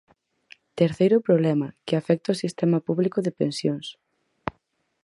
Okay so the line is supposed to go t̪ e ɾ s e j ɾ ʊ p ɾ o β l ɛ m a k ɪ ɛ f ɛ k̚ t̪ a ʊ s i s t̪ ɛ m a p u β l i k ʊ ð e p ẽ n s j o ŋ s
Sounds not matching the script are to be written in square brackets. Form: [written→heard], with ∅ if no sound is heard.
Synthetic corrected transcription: t̪ e ɾ [s→θ] e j ɾ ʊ p ɾ o β l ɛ m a k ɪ [ɛ→a] f ɛ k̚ t̪ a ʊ s i s t̪ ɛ m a p u β l i k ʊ ð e p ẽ n s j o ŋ s